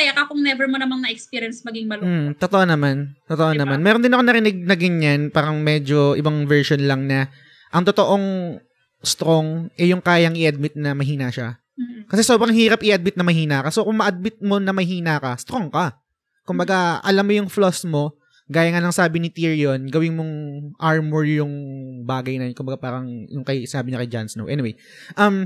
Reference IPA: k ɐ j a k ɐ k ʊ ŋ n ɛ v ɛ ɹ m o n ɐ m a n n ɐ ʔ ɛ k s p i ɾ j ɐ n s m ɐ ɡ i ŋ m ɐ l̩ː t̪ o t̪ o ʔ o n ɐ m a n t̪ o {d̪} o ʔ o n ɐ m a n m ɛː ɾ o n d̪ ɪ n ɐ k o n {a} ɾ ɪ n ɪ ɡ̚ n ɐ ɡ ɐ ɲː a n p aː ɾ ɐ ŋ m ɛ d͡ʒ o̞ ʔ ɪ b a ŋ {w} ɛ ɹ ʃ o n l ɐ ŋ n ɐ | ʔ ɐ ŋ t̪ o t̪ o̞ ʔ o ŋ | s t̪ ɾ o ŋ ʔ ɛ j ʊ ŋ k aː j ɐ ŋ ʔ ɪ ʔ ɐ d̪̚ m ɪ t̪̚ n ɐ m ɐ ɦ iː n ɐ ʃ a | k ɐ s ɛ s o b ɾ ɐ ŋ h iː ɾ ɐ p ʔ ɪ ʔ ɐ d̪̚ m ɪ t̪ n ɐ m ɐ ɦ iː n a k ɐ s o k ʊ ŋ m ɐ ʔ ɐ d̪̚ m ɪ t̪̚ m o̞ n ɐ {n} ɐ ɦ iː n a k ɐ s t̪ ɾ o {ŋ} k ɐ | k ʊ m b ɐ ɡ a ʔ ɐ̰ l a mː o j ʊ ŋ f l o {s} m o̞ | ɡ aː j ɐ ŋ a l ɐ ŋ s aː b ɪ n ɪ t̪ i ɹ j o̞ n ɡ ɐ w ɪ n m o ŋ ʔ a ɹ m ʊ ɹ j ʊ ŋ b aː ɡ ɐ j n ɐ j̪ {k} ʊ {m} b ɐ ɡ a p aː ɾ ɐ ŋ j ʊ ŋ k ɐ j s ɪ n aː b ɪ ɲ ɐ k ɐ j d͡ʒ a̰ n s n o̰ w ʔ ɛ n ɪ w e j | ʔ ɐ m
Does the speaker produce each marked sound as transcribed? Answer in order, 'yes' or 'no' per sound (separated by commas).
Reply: no, no, no, no, yes, yes, yes, yes